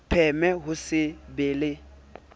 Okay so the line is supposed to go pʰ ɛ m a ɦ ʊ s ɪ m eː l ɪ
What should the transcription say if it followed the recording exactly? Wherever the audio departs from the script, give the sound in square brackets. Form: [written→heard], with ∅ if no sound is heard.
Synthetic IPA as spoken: pʰ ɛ m [a→ɛ] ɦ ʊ s ɪ [m→b] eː l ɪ